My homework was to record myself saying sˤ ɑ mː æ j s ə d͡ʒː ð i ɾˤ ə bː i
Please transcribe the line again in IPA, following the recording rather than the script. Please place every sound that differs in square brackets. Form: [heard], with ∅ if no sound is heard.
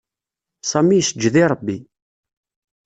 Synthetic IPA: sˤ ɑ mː [i] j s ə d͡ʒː ð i ɾˤ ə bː i